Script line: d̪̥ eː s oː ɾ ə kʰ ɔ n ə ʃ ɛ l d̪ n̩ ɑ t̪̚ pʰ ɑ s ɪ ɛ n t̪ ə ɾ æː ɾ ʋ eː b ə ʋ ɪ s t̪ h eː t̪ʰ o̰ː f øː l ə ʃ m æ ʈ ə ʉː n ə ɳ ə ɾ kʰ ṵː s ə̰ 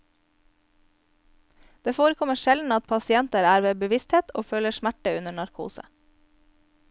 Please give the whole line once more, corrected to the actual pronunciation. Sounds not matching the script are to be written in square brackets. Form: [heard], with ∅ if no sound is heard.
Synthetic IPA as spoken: d̪̥ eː [f] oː ɾ ə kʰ ɔ [m] ə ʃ ɛ l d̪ n̩ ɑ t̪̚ pʰ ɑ s ɪ ɛ n t̪ ə ɾ æː ɾ ʋ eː b ə ʋ ɪ s t̪ h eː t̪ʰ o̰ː f øː l ə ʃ m æ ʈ ə [ʉ] n ə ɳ [ɑ] ɾ kʰ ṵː s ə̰